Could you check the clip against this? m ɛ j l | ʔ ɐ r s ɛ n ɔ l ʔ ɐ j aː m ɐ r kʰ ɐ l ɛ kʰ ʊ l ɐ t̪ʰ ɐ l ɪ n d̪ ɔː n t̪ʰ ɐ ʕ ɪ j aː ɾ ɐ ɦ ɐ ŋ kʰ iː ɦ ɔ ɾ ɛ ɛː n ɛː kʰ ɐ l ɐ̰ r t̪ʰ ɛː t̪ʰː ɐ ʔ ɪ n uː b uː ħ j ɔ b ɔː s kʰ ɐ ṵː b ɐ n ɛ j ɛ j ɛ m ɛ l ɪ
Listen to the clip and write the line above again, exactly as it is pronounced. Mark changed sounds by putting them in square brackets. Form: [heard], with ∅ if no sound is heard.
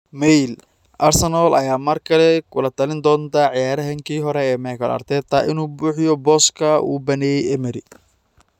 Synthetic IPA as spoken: m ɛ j l | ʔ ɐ r s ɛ n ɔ l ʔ ɐ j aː m ɐ r kʰ ɐ l ɛ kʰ ʊ l ɐ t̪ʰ ɐ l ɪ n d̪ ɔː n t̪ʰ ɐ ʕ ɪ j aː ɾ ɐ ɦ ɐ ŋ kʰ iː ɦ ɔ ɾ ɛ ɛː [m] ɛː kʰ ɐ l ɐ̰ r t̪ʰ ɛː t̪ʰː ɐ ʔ ɪ n uː b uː ħ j ɔ b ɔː s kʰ ɐ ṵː b ɐ n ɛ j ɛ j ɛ m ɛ [ɾ] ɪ